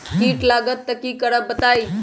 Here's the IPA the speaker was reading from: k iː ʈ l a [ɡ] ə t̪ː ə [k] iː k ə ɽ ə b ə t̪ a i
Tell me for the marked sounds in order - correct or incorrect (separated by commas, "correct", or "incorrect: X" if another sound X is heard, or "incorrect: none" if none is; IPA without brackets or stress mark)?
correct, correct